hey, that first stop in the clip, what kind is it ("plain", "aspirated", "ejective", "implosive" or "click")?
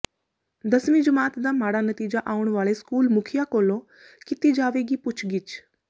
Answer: plain